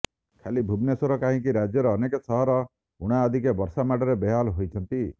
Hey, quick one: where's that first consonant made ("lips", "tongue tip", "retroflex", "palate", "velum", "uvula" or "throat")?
velum